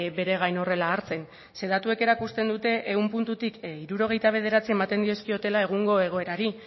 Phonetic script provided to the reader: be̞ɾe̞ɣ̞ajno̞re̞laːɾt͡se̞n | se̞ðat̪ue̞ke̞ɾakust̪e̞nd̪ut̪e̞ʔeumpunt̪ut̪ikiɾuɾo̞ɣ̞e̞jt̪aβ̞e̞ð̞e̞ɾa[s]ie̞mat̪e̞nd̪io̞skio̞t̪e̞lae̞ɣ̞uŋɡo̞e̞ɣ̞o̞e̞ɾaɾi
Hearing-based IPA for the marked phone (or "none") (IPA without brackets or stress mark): t͡s